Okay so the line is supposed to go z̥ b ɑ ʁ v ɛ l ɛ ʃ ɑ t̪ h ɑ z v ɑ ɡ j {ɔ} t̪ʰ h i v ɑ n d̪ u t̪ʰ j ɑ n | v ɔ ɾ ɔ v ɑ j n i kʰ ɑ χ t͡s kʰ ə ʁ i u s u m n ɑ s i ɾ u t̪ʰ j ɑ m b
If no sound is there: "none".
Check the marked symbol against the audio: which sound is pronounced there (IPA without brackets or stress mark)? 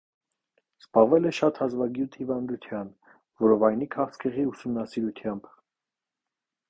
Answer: u